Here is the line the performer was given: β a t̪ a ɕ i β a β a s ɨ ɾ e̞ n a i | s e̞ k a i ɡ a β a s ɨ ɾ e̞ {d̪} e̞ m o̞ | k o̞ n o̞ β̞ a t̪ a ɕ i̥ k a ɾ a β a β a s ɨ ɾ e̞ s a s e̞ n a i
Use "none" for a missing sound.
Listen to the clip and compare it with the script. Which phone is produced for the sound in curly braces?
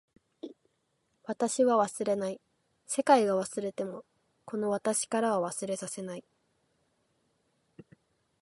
t̪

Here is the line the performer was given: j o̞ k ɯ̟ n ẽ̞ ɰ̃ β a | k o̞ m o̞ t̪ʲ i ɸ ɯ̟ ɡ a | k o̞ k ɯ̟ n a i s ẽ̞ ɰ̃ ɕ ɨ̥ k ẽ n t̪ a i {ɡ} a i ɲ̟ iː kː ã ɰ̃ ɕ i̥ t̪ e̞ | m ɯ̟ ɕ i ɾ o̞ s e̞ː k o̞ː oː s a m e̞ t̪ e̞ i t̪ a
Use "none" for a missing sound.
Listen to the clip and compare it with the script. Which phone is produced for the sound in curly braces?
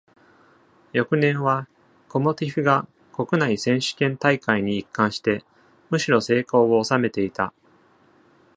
k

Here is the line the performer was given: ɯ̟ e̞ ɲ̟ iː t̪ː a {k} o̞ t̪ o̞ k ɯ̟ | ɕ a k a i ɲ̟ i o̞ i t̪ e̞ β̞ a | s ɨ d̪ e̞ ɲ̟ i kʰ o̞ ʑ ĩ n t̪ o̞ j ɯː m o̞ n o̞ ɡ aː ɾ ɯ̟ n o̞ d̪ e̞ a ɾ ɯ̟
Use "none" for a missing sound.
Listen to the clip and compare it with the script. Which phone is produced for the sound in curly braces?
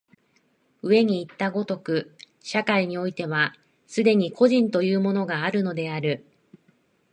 ɡ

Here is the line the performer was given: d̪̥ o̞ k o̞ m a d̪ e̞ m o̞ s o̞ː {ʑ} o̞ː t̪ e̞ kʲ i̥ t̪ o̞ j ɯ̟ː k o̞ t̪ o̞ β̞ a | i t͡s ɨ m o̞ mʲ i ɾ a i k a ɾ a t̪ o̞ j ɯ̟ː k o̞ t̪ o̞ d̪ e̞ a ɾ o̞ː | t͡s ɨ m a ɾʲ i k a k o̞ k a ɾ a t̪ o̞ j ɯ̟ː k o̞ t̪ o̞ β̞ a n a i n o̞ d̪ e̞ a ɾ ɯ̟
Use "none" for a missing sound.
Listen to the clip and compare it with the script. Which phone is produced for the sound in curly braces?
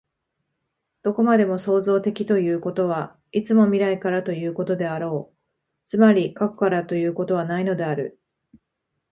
z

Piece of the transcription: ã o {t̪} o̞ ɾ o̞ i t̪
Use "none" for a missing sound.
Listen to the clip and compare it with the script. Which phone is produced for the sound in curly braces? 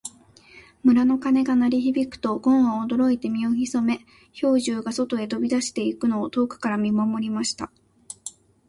d̪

